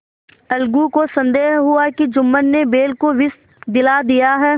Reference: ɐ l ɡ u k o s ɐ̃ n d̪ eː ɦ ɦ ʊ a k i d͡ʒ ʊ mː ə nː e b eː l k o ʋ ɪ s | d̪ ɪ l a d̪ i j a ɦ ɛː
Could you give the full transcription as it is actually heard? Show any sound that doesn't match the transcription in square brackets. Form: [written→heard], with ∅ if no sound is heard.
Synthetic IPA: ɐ l ɡ u k o s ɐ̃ n d̪ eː ɦ ɦ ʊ a k i d͡ʒ ʊ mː ə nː e b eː l k o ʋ ɪ s | d̪ ɪ l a d̪ i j a ɦ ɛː